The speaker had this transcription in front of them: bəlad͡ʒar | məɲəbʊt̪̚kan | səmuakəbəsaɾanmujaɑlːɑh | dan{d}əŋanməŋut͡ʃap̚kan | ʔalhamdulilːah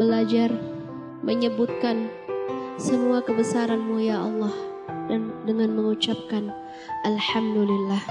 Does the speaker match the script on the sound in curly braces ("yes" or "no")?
yes